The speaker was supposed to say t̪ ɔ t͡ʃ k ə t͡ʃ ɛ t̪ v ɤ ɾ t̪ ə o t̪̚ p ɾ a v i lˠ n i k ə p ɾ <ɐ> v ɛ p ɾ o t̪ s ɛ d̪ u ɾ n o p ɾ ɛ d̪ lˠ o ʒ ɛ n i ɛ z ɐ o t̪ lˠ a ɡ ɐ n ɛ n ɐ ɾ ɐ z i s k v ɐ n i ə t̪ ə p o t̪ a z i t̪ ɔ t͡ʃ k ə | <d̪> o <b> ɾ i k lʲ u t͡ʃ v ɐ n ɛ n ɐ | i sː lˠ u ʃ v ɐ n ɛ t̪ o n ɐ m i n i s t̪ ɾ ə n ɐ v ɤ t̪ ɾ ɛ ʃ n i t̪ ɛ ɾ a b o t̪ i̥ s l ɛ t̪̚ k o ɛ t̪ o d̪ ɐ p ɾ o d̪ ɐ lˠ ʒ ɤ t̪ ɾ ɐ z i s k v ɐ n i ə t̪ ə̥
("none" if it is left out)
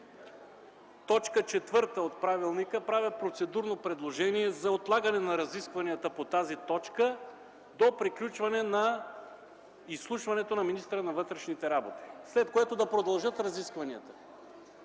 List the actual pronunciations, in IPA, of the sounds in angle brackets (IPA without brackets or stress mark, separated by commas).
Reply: a, d̪, p